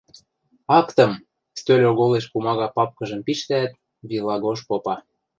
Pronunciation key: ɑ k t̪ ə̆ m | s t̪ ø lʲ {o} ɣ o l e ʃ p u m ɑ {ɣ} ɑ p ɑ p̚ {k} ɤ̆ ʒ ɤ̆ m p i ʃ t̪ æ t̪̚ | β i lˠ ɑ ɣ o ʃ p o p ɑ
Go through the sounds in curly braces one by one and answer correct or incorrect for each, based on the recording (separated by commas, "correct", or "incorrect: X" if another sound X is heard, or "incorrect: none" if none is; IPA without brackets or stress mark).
correct, correct, correct